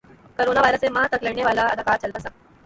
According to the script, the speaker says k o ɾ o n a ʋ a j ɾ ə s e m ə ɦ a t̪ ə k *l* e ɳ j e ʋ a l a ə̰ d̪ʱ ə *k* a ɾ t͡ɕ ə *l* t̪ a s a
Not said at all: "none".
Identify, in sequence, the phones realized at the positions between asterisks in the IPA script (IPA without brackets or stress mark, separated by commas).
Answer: l, k, l